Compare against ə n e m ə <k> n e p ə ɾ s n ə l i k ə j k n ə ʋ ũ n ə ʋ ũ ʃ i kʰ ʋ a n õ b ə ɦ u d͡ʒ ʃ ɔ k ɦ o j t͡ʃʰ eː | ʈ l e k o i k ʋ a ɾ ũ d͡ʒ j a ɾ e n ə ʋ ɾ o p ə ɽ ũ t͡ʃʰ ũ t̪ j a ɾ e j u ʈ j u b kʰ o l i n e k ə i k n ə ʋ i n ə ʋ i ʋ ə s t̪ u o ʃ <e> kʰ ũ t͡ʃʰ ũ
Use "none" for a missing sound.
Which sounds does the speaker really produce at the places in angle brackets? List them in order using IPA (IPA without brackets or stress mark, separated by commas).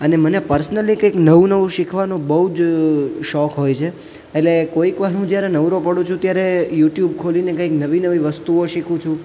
none, i